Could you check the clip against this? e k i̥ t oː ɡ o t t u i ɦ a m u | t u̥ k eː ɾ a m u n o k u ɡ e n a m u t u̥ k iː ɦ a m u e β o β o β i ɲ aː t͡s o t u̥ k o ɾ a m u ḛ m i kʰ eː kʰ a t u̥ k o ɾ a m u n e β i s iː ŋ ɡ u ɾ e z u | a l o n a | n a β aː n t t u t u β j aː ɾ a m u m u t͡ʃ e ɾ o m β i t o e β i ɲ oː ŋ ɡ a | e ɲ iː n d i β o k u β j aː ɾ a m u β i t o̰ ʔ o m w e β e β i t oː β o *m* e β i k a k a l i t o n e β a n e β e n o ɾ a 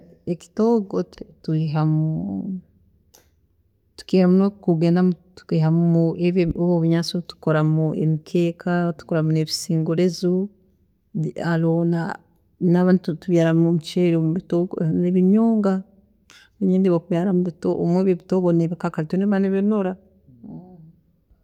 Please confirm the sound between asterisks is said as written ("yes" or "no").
no